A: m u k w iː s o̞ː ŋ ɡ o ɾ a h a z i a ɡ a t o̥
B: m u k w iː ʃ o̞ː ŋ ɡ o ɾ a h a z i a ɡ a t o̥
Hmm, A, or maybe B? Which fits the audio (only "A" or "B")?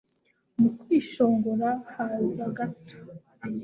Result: B